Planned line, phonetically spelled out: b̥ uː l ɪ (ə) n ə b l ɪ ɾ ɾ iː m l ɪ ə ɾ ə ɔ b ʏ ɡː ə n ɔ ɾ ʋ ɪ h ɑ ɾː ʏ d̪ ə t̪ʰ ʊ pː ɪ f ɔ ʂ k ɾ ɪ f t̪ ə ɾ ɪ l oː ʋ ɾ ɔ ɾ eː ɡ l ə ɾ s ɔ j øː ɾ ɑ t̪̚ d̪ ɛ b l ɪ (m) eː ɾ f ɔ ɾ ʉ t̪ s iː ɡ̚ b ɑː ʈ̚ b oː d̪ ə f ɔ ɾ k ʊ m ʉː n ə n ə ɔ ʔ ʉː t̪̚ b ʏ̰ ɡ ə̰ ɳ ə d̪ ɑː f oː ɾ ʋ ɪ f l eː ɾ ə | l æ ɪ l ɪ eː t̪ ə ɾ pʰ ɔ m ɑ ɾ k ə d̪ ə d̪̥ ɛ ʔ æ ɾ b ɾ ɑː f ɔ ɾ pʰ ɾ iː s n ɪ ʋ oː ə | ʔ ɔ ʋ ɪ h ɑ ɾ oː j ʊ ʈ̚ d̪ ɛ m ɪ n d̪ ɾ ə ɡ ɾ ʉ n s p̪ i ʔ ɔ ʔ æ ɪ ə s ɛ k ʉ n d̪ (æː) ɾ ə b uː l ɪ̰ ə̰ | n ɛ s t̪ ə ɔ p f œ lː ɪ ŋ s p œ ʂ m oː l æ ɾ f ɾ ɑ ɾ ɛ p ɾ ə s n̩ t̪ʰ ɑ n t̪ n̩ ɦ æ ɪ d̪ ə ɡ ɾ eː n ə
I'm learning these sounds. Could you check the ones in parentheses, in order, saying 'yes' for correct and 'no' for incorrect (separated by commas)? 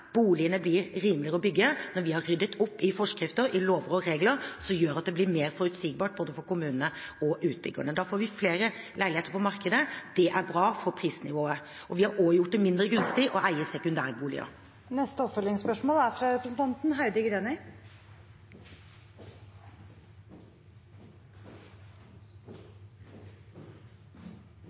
yes, yes, yes